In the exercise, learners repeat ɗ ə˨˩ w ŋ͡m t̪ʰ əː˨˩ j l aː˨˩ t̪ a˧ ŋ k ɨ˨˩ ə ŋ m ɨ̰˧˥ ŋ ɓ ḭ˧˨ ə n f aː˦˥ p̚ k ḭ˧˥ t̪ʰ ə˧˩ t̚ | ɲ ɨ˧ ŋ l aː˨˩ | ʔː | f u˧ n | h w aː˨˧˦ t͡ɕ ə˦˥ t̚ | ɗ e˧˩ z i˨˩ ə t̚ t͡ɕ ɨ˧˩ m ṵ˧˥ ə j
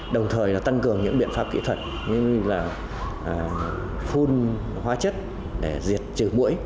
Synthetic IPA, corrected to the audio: ɗ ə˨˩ w ŋ͡m t̪ʰ əː˨˩ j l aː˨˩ t̪ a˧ ŋ k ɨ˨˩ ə ŋ ɲ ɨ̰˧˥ ŋ ɓ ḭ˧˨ ə n f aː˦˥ p̚ k ḭ˧˥ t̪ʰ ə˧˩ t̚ | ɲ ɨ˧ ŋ l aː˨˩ | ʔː | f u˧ n | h w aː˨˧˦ t͡ɕ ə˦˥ t̚ | ɗ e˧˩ z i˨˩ ə t̚ t͡ɕ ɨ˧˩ m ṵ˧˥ ə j